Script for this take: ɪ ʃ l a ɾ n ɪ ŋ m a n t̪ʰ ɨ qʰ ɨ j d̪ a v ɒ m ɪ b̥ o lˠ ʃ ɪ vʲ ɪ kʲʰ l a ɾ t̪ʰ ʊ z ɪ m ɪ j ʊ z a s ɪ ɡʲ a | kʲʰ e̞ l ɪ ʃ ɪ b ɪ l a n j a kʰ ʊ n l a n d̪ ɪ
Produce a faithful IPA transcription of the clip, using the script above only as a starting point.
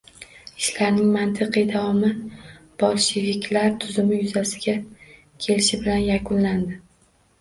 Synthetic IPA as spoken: ɪ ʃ l a ɾ n ɪ ŋ m a n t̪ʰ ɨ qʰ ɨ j d̪ a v ɒ m ɪ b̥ ɒ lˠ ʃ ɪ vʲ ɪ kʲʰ l a ɾ t̪ʰ ʊ z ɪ m ɪ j ʊ z a s ɪ ɡʲ a | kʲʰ e̞ l ɪ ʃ ɪ b ɪ l a n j a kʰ ʊ n l a n d̪ ɪ